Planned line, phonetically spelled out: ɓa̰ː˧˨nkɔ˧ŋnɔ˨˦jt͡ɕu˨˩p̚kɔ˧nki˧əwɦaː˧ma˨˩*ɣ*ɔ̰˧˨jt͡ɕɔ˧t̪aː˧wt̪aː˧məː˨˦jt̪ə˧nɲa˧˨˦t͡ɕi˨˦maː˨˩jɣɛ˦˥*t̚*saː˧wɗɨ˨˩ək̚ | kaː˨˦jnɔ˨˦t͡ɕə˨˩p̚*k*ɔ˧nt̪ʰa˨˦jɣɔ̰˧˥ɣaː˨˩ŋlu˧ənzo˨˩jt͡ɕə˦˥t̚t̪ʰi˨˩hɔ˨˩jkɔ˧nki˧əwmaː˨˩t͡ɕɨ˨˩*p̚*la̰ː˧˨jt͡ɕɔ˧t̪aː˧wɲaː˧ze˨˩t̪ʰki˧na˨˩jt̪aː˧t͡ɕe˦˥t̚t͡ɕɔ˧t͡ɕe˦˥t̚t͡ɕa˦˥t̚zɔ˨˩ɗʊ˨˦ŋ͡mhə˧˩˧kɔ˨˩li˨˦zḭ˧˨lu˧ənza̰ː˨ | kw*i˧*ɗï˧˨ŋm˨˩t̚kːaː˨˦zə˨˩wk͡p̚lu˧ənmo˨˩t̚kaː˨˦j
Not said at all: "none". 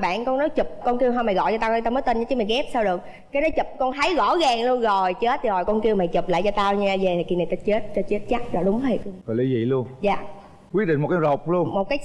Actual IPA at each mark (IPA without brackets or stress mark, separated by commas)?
ɣ, p̚, k, p̚, i˦˥